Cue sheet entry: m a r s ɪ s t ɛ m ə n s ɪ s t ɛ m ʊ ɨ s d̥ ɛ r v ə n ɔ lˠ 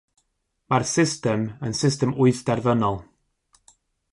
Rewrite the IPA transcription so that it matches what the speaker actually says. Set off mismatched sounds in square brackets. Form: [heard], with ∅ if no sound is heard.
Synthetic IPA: m a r s ɪ s t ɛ m ə n s ɪ s t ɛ m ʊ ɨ [θ] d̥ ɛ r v ə n ɔ lˠ